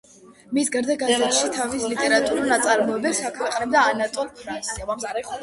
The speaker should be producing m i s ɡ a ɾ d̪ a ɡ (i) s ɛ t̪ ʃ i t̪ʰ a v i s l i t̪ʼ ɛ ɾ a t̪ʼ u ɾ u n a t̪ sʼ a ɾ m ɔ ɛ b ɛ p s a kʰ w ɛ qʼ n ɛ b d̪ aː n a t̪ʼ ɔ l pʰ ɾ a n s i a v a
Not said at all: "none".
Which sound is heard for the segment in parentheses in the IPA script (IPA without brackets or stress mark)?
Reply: a